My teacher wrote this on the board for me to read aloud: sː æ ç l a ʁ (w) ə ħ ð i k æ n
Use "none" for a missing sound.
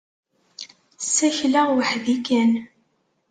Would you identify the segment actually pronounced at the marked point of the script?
w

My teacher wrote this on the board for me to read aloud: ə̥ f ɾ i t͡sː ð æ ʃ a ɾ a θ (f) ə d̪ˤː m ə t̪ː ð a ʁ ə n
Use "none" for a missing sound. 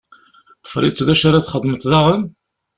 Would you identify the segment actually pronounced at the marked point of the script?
χ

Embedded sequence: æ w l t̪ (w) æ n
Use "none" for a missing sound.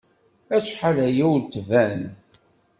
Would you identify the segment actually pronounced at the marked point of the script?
v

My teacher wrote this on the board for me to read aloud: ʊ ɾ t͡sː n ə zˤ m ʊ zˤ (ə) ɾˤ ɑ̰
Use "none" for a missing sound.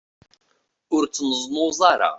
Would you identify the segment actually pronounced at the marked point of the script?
ɑ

